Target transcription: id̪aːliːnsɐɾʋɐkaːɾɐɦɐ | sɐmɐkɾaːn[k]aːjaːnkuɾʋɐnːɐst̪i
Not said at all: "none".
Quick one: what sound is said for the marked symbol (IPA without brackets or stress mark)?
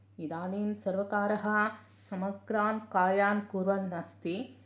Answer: k